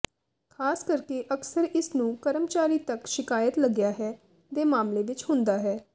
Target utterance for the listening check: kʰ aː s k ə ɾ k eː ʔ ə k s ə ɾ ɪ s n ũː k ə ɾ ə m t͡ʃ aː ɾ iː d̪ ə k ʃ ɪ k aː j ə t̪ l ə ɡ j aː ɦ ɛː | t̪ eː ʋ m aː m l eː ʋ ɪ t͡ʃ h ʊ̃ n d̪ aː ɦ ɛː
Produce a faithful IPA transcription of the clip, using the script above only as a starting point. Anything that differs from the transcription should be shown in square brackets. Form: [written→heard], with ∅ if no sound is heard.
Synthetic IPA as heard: kʰ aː s k ə ɾ k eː ʔ ə k s ə ɾ ɪ s n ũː k ə ɾ ə m t͡ʃ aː ɾ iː [d̪→t̪] ə k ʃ ɪ k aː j ə t̪ l ə ɡ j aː ɦ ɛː | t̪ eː [ʋ→∅] m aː m l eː ʋ ɪ t͡ʃ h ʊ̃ n d̪ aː ɦ ɛː